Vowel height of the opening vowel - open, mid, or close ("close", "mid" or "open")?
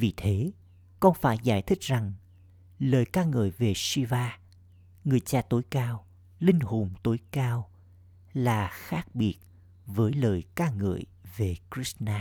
close